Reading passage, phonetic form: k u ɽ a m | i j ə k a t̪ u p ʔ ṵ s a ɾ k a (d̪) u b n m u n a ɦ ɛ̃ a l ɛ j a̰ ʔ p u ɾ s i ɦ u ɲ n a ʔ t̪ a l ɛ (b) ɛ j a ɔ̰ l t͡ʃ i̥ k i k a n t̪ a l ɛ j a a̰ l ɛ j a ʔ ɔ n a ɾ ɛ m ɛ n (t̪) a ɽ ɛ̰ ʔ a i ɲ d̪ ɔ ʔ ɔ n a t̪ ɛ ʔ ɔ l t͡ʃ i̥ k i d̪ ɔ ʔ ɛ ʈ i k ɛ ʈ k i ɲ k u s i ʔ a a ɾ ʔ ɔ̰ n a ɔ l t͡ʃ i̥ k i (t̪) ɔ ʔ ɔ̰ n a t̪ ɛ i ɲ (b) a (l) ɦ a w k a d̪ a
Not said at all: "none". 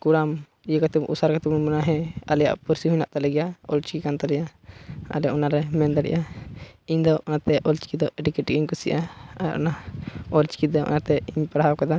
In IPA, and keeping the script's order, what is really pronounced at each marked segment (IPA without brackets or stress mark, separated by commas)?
t̪, ɡ, d̪, d̪, p, ɽ